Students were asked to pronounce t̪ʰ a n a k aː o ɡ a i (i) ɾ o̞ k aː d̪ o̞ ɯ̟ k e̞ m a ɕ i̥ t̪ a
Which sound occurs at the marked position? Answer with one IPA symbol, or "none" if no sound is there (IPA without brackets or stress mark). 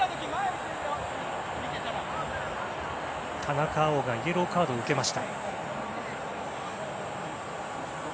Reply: e